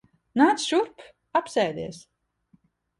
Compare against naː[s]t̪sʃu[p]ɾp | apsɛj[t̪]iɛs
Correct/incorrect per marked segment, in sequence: incorrect: none, incorrect: none, incorrect: d̪

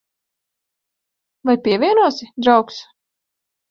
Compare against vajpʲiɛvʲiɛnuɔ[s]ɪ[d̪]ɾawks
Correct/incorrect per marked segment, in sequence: correct, correct

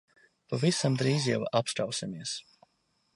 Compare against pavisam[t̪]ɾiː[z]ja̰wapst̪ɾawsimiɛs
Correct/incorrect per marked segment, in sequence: incorrect: d̪, correct

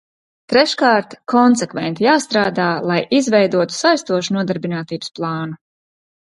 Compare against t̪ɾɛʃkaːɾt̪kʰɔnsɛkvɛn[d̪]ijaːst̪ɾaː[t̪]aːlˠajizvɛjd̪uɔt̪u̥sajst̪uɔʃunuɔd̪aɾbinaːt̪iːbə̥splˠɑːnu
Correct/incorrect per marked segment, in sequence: incorrect: t̪, incorrect: d̪

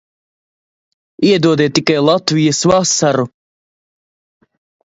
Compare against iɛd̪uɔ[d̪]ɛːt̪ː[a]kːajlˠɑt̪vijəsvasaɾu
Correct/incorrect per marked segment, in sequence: correct, incorrect: i

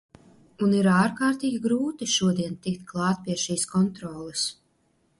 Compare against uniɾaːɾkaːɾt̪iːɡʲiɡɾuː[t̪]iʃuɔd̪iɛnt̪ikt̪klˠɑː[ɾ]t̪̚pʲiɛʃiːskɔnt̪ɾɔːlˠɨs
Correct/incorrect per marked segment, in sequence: correct, incorrect: none

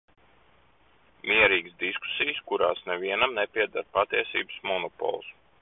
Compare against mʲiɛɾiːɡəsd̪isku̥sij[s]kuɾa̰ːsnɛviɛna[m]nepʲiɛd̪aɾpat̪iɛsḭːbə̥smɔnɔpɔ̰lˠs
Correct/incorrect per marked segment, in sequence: correct, correct

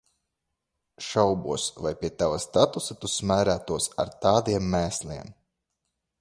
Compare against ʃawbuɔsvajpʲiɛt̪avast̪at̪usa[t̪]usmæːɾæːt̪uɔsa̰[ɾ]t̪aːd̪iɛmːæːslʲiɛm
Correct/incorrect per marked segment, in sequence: correct, correct

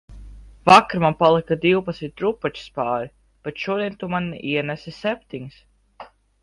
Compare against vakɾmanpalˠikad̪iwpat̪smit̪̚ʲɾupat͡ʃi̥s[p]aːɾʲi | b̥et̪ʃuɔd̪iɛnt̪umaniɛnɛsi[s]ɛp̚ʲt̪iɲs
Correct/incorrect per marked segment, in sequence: correct, correct

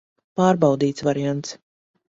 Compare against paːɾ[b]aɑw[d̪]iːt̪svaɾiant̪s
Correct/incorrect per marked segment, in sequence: correct, correct

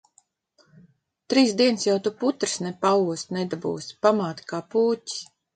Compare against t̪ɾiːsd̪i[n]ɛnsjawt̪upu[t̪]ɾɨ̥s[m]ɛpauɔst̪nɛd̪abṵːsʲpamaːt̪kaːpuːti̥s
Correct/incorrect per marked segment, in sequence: incorrect: none, correct, incorrect: n

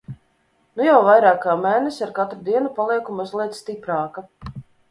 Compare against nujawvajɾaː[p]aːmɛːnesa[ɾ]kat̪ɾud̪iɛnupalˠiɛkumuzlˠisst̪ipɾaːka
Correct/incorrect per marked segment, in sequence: incorrect: k, correct

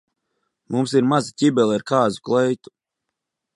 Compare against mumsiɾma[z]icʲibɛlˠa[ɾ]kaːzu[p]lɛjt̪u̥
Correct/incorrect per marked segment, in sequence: correct, correct, incorrect: k

